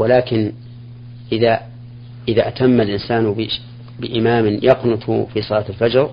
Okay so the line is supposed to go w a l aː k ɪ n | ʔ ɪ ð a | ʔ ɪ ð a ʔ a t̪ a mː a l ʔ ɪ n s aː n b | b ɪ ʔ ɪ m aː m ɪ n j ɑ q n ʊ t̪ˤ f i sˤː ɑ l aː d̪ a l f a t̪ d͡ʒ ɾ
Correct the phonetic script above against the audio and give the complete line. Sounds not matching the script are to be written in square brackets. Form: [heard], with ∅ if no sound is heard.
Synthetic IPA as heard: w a l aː k ɪ n | ʔ ɪ ð a | ʔ ɪ ð a ʔ a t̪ a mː a l ʔ ɪ n s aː n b | b ɪ ʔ ɪ m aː m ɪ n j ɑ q n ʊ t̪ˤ f i [sˤ] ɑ l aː [t̪] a l f a [∅] d͡ʒ ɾ